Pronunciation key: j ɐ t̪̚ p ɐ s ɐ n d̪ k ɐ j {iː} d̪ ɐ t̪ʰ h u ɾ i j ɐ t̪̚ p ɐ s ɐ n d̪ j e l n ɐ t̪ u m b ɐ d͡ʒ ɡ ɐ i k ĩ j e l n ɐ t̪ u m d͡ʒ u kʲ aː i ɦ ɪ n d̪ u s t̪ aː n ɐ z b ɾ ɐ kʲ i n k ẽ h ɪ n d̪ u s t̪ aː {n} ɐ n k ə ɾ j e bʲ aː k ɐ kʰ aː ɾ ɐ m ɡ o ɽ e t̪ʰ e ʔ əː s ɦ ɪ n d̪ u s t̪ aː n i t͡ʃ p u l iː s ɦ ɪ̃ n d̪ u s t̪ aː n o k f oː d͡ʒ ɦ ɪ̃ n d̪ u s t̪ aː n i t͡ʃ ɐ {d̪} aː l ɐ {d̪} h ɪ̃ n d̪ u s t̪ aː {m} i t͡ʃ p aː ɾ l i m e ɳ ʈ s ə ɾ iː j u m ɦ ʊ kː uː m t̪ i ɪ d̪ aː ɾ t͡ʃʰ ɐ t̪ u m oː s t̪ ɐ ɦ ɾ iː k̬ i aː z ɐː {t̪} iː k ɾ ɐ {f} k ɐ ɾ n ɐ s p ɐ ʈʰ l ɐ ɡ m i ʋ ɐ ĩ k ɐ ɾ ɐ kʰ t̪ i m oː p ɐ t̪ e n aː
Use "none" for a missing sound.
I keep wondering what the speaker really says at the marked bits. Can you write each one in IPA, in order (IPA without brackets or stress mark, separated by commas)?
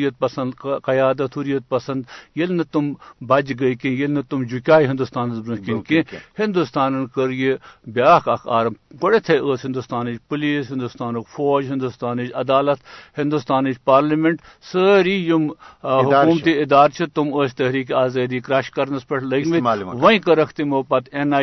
aː, n, d̪, t̪, n, d̪, ʃ